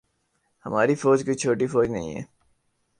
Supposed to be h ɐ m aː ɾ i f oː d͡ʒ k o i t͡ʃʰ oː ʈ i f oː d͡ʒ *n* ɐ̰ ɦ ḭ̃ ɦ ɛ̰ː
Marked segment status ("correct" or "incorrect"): correct